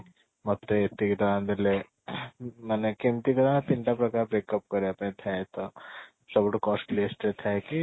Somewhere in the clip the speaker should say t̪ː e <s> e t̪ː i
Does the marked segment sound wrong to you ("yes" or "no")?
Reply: yes